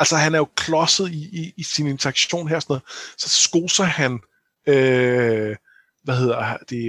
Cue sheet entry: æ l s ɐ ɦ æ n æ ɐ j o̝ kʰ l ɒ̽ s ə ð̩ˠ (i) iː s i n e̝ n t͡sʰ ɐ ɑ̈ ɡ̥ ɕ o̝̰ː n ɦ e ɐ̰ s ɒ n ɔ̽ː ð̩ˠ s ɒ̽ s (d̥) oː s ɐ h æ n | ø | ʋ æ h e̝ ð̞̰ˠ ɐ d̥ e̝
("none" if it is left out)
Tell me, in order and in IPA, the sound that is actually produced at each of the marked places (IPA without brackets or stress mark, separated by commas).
i, ɡ̥